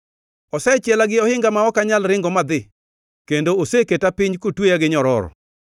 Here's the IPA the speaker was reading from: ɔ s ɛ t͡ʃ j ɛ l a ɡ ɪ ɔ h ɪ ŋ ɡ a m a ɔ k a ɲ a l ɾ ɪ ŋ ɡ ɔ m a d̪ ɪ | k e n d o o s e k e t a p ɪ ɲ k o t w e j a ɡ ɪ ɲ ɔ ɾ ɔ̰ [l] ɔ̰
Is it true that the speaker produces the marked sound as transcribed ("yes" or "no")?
no